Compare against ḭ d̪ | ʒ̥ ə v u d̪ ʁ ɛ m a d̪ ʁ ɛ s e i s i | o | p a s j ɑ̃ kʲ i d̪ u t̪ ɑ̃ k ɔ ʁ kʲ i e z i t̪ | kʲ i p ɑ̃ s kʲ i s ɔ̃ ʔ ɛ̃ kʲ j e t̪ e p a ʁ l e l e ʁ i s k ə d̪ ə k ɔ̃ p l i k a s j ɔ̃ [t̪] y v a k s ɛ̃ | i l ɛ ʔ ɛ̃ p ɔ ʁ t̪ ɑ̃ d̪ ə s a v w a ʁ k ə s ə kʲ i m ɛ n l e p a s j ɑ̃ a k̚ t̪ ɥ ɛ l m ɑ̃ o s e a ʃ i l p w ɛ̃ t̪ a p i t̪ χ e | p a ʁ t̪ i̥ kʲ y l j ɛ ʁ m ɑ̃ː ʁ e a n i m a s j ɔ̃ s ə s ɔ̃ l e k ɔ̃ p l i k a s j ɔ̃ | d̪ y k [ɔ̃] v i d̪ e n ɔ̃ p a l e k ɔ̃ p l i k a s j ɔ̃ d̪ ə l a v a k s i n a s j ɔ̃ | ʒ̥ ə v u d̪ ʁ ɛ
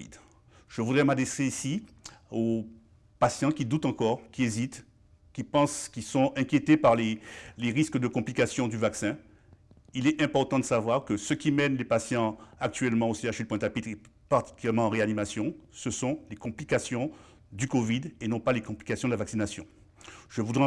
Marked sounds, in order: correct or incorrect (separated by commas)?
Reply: incorrect, incorrect